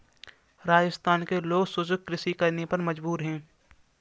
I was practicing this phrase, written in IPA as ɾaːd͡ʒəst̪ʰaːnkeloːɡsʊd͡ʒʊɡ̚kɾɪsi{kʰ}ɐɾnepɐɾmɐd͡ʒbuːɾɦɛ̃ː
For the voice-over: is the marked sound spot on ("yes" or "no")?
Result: no